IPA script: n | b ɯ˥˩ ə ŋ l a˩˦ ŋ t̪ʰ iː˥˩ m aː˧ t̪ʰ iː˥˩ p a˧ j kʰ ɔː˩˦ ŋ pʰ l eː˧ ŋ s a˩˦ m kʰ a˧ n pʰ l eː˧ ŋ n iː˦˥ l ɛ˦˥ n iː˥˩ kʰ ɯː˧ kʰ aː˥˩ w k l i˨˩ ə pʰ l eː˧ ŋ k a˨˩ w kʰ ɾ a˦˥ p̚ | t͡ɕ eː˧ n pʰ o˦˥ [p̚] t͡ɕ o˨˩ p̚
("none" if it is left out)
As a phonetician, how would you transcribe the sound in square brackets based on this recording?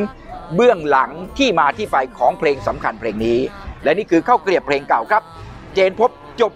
p̚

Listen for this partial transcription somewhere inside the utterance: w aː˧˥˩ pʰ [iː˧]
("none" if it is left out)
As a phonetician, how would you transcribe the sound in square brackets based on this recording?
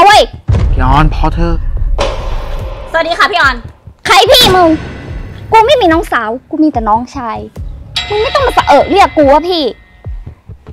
iː˥˩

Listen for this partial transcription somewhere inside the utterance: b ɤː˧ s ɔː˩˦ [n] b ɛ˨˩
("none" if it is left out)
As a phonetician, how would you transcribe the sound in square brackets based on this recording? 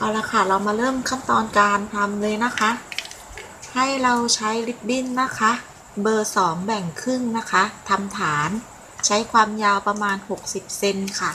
ŋ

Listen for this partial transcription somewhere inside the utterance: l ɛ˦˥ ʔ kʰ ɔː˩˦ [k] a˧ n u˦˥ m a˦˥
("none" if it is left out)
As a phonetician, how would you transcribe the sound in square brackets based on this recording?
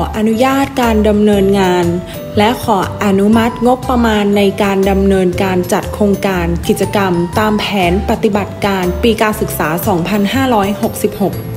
ʔ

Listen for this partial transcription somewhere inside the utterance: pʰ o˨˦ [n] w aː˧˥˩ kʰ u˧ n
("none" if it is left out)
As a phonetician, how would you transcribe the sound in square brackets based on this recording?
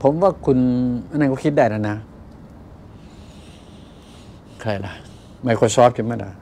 m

